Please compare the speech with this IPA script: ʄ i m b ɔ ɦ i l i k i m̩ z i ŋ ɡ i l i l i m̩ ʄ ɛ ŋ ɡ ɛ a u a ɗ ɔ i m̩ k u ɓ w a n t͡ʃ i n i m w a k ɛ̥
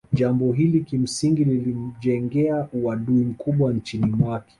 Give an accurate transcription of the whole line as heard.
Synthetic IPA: ʄ a m b ɔ ɦ i l i k i m̩ s i ŋ ɡ i l i l i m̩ ʄ ɛ ŋ ɡ ɛ a u a ɗ u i m̩ k u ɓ w a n t͡ʃ i n i m w a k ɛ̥